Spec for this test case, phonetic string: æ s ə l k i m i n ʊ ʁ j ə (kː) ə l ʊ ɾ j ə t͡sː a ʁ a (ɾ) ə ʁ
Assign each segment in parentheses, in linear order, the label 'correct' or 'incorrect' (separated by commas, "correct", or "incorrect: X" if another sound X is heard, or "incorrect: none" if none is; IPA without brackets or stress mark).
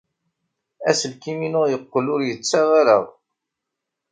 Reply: incorrect: qː, correct